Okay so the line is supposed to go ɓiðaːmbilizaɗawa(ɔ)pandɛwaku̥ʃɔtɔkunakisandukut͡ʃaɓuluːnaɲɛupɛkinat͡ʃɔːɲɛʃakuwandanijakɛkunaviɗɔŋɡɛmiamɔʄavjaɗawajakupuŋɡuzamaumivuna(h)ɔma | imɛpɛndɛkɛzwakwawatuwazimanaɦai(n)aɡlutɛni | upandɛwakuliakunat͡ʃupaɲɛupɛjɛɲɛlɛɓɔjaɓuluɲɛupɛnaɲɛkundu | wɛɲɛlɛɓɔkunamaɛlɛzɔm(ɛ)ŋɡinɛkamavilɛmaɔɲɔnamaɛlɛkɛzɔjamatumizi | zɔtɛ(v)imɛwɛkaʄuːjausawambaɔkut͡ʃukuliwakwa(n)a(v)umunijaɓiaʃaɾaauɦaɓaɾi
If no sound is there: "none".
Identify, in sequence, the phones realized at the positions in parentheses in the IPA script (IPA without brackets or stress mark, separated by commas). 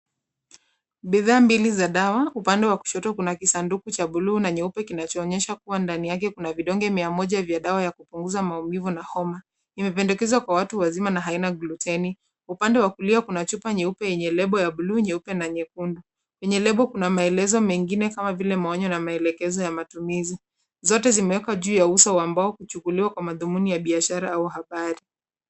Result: u, h, n, ɛ, z, m, ð